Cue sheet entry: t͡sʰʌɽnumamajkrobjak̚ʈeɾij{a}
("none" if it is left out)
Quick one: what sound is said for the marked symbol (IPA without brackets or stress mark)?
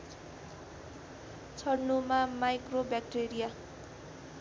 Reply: a